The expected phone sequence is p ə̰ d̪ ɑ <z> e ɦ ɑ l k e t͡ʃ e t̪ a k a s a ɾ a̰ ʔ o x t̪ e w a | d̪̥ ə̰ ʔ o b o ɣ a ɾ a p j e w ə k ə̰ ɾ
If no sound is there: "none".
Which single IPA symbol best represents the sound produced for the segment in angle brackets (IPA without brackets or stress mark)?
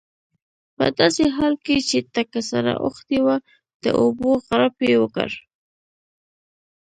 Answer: s